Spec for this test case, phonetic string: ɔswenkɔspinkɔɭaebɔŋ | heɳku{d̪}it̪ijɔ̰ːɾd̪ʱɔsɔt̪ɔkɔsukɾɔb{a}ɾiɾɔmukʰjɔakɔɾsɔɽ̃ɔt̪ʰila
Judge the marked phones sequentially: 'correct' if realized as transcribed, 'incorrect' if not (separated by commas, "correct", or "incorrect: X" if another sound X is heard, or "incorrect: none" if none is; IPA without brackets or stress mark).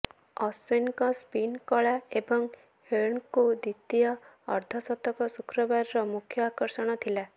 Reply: correct, correct